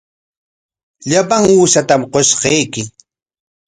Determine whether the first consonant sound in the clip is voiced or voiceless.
voiced